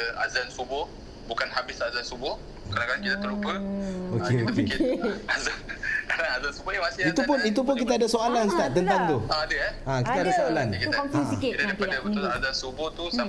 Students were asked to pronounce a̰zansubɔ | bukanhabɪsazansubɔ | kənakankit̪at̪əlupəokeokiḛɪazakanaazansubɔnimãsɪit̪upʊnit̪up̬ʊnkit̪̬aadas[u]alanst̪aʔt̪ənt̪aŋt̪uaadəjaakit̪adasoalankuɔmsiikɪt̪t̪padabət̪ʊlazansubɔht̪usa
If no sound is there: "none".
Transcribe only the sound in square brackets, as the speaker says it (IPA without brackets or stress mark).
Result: o